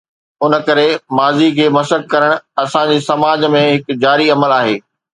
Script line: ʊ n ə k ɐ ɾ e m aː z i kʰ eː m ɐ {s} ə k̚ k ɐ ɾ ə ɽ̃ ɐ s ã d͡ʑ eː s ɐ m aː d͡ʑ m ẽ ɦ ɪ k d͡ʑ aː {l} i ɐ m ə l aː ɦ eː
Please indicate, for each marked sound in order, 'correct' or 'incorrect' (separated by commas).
correct, incorrect